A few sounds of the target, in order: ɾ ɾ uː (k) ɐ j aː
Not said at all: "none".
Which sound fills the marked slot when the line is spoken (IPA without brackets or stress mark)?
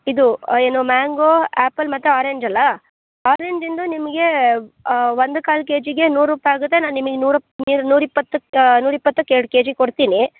p